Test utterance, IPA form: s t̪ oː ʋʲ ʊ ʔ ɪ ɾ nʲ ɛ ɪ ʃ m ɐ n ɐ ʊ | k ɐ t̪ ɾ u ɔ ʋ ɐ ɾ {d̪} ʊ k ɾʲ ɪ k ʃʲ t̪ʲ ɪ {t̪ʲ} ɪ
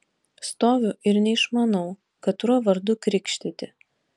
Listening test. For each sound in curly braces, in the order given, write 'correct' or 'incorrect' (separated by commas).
correct, correct